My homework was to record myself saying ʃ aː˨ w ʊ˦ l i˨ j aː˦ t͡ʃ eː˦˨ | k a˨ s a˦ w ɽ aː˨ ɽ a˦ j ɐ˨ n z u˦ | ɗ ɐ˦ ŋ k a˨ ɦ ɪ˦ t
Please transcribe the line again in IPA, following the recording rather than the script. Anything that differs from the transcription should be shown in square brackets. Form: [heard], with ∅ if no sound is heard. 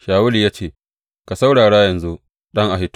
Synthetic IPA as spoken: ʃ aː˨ w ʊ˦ l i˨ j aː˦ t͡ʃ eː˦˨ | k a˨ s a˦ w ɽ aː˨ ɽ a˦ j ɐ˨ n z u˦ | ɗ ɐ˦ ŋ [ʔ] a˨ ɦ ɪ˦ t